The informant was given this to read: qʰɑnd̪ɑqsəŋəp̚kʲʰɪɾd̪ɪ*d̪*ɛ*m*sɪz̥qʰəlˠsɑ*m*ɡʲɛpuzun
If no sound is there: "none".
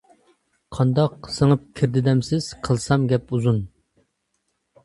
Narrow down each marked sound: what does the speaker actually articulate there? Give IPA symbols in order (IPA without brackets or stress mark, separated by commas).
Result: d̪, m, m